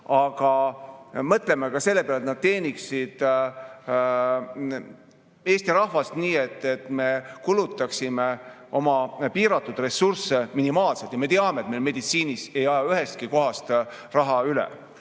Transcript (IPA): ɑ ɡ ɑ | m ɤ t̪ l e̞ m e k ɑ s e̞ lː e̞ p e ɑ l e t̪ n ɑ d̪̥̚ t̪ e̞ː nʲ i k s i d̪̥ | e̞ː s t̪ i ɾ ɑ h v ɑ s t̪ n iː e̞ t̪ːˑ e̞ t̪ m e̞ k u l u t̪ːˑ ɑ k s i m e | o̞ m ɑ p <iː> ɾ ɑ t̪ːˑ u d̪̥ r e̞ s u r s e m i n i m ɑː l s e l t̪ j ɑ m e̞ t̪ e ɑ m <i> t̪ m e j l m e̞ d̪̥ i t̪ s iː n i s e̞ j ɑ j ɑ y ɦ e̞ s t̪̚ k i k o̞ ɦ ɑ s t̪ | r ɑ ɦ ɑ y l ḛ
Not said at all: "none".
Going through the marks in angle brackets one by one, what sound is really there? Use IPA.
iː, e

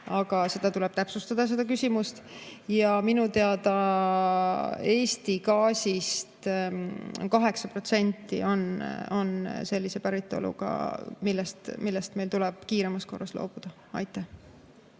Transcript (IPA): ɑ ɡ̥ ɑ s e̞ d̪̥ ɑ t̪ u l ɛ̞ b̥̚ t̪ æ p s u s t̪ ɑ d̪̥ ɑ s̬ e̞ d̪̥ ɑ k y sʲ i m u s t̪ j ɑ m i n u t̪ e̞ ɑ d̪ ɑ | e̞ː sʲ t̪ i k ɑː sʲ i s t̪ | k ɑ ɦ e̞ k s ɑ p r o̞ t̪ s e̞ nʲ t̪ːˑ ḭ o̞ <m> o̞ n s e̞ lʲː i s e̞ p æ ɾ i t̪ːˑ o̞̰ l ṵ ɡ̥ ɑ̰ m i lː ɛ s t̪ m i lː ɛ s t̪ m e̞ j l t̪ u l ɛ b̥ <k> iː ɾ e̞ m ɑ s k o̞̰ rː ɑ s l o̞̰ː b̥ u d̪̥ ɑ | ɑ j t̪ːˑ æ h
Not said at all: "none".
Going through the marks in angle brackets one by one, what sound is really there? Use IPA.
n, k

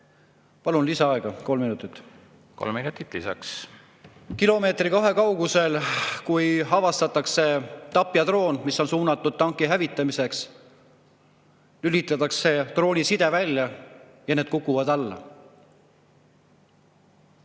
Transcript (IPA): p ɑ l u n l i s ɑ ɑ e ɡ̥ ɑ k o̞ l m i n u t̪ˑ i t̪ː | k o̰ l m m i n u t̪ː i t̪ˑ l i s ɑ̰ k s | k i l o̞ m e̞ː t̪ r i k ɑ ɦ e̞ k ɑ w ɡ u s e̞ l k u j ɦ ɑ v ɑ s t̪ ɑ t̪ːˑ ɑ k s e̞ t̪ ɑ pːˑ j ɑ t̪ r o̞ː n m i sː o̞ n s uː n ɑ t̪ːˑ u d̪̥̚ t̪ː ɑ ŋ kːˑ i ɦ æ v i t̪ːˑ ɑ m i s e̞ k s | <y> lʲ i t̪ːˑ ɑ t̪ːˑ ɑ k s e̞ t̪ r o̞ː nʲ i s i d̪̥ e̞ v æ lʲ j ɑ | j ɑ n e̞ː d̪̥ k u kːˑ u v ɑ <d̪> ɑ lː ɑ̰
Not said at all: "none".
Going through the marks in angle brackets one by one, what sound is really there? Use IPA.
y, d̪

